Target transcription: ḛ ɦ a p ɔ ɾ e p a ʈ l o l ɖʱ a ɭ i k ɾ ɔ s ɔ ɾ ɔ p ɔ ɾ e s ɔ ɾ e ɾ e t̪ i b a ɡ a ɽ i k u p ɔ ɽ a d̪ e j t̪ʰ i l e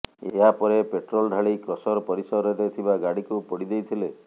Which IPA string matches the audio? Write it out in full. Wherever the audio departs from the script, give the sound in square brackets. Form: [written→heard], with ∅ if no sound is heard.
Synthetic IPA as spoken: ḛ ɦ a p ɔ ɾ e p [a→e] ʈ [l→ɾ] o l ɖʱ a ɭ i k ɾ ɔ s ɔ ɾ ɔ p ɔ ɾ [e→i] s ɔ ɾ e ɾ e [t̪→t̪ʰ] i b a ɡ a ɽ i k u p ɔ ɽ [a→i] d̪ e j t̪ʰ i l e